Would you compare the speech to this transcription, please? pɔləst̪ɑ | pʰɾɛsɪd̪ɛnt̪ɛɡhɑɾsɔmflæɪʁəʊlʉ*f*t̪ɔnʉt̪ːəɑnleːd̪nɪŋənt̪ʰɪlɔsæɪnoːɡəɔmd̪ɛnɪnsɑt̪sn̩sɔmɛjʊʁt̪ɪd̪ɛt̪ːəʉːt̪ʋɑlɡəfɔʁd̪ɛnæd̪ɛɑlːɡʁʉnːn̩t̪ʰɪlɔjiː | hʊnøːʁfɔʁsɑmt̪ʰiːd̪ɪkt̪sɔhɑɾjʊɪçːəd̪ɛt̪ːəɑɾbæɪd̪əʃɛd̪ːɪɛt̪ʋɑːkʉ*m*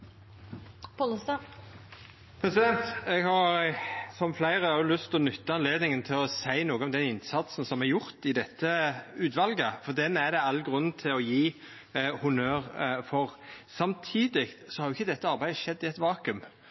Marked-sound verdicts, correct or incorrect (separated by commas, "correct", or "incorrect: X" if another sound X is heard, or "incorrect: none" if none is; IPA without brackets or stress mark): incorrect: s, correct